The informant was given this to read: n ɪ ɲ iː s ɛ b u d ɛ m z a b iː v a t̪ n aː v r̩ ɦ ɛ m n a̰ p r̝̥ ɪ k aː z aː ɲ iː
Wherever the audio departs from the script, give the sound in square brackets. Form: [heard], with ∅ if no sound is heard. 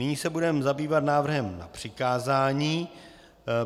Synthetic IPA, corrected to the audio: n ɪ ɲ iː s ɛ b u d ɛ m z a b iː v a t̪ n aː v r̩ ɦ ɛ m n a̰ p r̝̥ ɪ k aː z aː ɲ iː

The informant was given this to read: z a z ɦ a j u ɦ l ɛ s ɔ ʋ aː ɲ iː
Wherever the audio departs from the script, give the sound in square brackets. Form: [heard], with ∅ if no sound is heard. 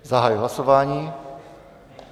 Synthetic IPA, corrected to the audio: z a [∅] ɦ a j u ɦ l [a] s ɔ ʋ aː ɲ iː

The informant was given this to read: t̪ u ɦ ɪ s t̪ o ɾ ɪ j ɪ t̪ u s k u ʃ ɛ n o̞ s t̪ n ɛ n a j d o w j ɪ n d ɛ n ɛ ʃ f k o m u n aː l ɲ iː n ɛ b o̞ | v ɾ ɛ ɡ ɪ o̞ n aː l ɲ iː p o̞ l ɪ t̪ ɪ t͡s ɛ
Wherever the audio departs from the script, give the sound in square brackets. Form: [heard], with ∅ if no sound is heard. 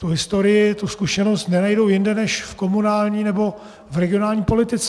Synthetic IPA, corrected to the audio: t̪ u ɦ ɪ s t̪ o ɾ ɪ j ɪ t̪ u s k u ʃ ɛ n o̞ s t̪ n ɛ n a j d o w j ɪ n d ɛ n ɛ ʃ f k o m u n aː l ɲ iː n ɛ b o̞ | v ɾ ɛ ɡ ɪ o̞ n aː l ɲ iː p o̞ l ɪ t̪ ɪ t͡s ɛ

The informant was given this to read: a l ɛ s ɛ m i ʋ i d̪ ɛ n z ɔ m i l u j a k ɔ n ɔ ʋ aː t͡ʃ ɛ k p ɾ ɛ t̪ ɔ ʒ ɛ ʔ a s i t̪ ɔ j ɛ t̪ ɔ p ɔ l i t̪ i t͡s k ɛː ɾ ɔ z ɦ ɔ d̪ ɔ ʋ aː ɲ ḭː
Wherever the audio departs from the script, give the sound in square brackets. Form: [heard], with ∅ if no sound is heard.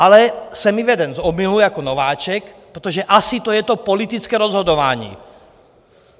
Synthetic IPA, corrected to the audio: a l ɛ s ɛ m i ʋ [ɛ] d̪ ɛ n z ɔ m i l u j a k ɔ n ɔ ʋ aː t͡ʃ ɛ k p ɾ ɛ t̪ ɔ ʒ ɛ ʔ a s i t̪ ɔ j ɛ t̪ ɔ p ɔ l i t̪ i t͡s k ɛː ɾ ɔ z ɦ ɔ d̪ ɔ ʋ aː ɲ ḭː

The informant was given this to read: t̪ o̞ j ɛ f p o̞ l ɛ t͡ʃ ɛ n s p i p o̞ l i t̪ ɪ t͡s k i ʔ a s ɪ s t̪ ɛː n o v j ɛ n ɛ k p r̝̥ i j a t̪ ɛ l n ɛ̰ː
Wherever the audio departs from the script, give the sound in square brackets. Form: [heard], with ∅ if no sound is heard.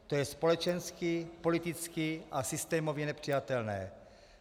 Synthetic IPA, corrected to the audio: t̪ o̞ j ɛ [s] p o̞ l ɛ t͡ʃ ɛ n s [k] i p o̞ l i t̪ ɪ t͡s k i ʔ a s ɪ s t̪ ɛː [m] o v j ɛ n ɛ [∅] p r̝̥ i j a t̪ ɛ l n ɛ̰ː

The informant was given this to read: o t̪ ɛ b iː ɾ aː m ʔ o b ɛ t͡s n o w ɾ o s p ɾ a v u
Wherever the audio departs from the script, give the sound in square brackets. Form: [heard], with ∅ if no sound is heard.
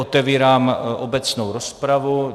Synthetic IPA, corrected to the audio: o t̪ ɛ [v] iː ɾ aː m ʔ o b ɛ t͡s n o w ɾ o s p ɾ a v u

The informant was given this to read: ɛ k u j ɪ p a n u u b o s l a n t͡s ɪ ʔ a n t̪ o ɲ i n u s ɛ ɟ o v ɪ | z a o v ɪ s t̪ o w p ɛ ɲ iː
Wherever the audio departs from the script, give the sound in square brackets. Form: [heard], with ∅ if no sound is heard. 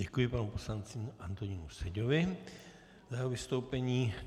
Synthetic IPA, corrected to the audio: ɛ k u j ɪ p a n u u [p] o s l a n t͡s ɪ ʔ a n t̪ o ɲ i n u s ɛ ɟ o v ɪ | z a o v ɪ s t̪ o w p ɛ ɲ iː

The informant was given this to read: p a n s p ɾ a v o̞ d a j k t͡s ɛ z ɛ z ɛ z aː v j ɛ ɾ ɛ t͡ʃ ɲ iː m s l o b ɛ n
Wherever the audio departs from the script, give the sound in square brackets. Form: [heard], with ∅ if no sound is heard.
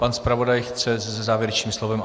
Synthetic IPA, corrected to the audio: p a n s p ɾ a v o̞ d a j [x] t͡s ɛ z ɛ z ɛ z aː v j ɛ ɾ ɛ t͡ʃ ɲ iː m s l o [v] ɛ [m]

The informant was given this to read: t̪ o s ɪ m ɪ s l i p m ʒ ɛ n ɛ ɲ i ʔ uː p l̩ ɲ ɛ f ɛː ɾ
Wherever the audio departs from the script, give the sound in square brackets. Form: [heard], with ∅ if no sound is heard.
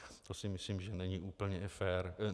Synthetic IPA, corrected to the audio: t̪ o s ɪ m ɪ s l i [∅] m ʒ ɛ n ɛ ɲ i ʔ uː p l̩ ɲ ɛ f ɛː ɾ

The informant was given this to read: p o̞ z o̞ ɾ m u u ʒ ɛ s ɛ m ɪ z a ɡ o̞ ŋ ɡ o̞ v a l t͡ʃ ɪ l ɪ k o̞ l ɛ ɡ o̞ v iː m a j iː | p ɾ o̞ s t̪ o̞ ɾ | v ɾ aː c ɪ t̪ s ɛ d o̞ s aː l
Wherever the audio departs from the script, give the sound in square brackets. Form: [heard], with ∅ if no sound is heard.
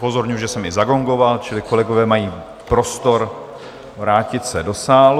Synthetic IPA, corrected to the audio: p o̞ z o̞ ɾ [ɲ] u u ʒ ɛ s ɛ m ɪ z a ɡ o̞ ŋ ɡ o̞ v a l t͡ʃ ɪ l ɪ k o̞ l ɛ ɡ o̞ v [ɛː] m a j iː | p ɾ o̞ s t̪ o̞ ɾ | v ɾ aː c ɪ t̪ s ɛ d o̞ s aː l

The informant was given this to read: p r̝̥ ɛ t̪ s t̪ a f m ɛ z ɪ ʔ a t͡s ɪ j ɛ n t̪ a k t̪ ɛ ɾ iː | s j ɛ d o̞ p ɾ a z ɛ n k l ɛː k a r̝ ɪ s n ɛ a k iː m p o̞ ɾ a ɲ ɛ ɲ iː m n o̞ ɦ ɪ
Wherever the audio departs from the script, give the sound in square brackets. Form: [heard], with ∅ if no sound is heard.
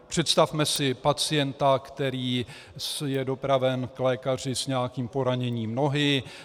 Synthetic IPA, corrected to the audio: p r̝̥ ɛ t̪ s t̪ a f m ɛ [s] ɪ [p] a t͡s ɪ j ɛ n t̪ a k t̪ ɛ ɾ iː | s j ɛ d o̞ p ɾ a [v] ɛ n k l ɛː k a r̝ ɪ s [ɲ] ɛ a k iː m p o̞ ɾ a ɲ ɛ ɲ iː m n o̞ ɦ ɪ

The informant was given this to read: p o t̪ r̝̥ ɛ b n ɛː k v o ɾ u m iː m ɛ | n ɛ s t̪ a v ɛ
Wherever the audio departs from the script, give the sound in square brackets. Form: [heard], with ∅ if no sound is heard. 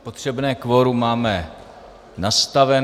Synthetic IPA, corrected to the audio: p o t̪ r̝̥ ɛ b n ɛː k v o ɾ u m [aː] m ɛ | n [a] s t̪ a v ɛ

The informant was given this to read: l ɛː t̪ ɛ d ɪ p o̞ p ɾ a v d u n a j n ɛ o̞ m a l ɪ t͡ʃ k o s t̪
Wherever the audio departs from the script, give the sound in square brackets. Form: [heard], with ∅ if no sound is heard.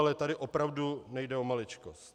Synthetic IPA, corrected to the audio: l [ɛ] t̪ [a] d ɪ [ʔ] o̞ p ɾ a v d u n [ɛ] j [d] ɛ o̞ m a l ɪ t͡ʃ k o s t̪

